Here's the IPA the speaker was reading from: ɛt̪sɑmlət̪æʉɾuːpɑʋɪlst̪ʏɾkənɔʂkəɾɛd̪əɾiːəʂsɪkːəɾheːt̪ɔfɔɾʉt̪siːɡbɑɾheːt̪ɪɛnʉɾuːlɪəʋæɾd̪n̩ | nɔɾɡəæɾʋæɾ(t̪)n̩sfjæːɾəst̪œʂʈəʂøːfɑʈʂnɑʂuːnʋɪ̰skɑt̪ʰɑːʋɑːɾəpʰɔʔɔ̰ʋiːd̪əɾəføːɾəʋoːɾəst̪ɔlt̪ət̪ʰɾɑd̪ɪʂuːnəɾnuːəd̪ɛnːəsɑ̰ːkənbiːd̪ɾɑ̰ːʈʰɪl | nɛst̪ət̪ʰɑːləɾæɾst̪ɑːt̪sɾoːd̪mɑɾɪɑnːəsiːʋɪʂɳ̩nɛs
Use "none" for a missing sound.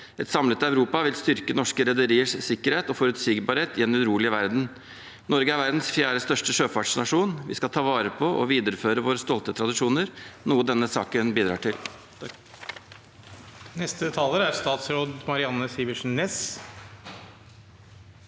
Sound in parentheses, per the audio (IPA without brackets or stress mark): d̪